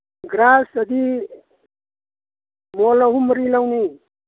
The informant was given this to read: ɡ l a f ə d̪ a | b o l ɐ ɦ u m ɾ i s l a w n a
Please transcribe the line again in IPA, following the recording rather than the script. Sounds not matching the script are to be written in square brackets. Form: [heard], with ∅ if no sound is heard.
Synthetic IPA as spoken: ɡ [ɾ] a [s] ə d̪ [i] | [m] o l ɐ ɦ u m ɾ i [∅] l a w n [i]